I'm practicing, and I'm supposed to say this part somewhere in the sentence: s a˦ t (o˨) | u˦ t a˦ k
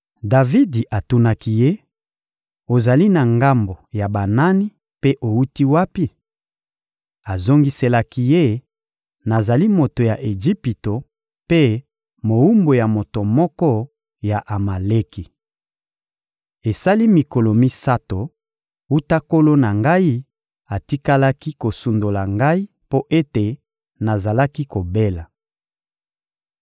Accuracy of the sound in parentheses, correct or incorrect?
correct